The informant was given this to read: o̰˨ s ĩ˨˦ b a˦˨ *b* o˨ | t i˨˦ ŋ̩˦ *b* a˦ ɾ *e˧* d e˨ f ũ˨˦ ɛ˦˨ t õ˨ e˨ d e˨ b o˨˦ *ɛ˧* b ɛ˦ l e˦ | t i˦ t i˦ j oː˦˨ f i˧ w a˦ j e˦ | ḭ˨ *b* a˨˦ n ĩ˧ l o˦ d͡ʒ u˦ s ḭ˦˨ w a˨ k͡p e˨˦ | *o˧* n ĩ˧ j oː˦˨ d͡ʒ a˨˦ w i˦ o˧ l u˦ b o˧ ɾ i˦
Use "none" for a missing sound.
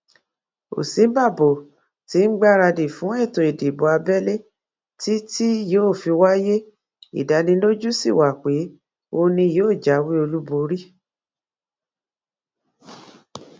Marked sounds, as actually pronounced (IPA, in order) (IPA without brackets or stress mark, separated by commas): b, ɡ͡b, a˧, a˧, d, o˧